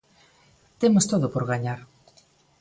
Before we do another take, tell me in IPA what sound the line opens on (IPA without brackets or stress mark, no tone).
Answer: t̪